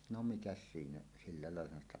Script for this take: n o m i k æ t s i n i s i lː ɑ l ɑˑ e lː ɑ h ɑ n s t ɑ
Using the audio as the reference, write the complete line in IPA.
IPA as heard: n o m i k æ s s iː n æ s i lː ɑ l ɑˑ e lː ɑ h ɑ n s t ɑ